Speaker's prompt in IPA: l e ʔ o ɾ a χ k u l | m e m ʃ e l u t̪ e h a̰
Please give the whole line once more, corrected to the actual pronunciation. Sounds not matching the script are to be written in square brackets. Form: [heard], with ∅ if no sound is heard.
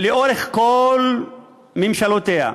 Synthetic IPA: l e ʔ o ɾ [e] χ k [o] l | m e m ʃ [a] l [o] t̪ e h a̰